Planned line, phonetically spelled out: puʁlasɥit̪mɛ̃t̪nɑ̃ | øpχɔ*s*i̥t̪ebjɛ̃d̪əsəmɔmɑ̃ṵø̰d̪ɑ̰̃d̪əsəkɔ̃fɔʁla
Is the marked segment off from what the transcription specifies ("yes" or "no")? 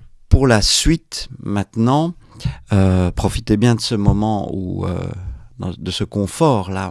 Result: yes